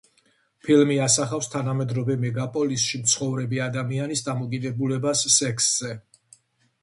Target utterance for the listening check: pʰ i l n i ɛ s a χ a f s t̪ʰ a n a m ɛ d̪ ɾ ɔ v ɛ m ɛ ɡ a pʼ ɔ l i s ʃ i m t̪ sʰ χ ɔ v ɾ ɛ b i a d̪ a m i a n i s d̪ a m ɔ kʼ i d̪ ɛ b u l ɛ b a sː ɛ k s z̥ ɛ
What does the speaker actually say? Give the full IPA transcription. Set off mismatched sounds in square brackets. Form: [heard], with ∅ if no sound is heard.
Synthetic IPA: pʰ i l [m] i [a] s a χ a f s t̪ʰ a n a m ɛ d̪ ɾ ɔ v ɛ m ɛ ɡ a pʼ ɔ l i s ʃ i m t̪ sʰ χ ɔ v ɾ ɛ b i a d̪ a m i a n i s d̪ a m ɔ kʼ i d̪ ɛ b u l ɛ b a sː ɛ k s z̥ ɛ